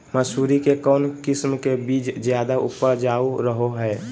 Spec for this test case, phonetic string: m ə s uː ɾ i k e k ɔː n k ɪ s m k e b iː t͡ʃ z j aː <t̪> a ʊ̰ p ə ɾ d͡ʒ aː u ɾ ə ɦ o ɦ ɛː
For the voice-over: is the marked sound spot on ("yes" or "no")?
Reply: no